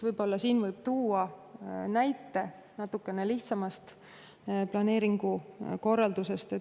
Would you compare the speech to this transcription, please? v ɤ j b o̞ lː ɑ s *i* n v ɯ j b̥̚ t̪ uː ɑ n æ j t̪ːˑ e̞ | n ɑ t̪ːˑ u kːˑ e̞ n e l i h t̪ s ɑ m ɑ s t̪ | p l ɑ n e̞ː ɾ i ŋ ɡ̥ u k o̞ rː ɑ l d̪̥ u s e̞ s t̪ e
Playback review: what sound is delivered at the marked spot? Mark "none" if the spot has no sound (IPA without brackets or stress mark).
iː